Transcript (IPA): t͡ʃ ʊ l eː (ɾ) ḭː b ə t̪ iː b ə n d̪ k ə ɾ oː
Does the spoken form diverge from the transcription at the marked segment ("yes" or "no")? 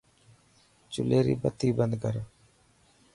no